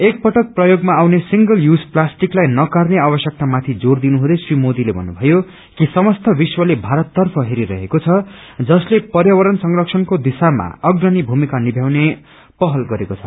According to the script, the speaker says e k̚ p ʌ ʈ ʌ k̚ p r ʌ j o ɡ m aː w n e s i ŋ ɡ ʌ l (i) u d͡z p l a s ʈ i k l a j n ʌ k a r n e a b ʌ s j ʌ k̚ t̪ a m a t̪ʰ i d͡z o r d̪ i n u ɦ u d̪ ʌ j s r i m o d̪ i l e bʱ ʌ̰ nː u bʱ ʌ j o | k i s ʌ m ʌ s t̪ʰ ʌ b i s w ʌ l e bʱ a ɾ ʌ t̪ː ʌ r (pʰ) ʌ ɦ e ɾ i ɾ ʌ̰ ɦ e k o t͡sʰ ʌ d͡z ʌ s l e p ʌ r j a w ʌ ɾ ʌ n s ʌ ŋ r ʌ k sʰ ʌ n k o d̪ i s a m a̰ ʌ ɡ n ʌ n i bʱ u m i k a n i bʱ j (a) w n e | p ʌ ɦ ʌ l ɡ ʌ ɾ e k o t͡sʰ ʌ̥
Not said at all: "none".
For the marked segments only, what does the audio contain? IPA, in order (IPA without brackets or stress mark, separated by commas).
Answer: j, pʰ, a